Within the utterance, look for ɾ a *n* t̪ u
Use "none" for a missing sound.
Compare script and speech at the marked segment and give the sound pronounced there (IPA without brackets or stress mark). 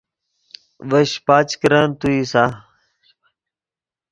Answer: n